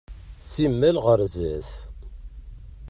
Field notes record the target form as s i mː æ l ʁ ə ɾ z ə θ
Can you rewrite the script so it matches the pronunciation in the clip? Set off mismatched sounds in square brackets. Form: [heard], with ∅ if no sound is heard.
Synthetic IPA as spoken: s i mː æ l ʁ ə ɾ z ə θ